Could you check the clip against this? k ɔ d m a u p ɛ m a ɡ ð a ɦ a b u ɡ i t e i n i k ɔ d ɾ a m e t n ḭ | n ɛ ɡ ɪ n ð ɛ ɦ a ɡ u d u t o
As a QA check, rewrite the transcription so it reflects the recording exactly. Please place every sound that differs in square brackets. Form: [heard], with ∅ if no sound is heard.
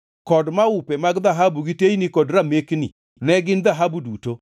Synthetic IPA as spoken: k ɔ d m a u p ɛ m a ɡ ð a ɦ a b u ɡ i t e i n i k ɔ d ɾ a m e [k] n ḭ | n ɛ ɡ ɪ n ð [a] ɦ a [b] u d u t o